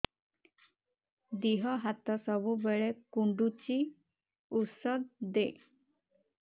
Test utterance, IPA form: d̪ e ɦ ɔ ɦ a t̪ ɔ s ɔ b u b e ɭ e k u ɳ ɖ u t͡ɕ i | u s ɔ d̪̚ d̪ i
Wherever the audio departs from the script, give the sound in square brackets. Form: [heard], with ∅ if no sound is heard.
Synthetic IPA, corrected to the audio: d̪ [i] ɦ ɔ ɦ a t̪ ɔ s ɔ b u b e ɭ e k u ɳ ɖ u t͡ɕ i | u s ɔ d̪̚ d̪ [e]